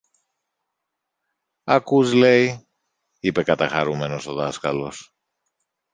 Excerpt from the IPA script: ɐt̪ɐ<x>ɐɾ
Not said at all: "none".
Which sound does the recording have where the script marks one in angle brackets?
x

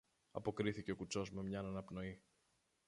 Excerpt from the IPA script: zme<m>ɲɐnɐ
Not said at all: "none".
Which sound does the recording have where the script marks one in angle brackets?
m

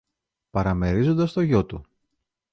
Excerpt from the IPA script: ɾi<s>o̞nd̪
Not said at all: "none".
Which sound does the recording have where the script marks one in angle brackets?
z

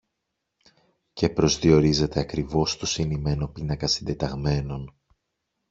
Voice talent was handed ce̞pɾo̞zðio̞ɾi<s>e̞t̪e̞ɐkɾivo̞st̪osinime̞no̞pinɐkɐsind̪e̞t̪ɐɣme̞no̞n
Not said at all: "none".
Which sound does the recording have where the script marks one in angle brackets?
z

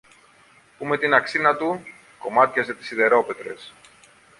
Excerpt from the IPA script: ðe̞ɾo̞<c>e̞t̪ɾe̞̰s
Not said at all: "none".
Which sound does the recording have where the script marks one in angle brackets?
p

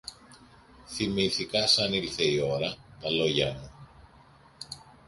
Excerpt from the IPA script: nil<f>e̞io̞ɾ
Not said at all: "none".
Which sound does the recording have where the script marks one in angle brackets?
θ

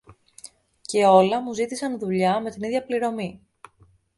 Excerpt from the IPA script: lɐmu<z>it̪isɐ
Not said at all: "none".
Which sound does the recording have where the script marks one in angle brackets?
z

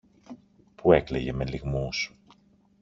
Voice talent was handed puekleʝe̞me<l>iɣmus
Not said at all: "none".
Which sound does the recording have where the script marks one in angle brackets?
l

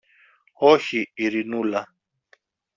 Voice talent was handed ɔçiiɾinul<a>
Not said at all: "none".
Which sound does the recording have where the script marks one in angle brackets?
a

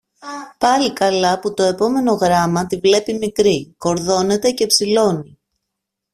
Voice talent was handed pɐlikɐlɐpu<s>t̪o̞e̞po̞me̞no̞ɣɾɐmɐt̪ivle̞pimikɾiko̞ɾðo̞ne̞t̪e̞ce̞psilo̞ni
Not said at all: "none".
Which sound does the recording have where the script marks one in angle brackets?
none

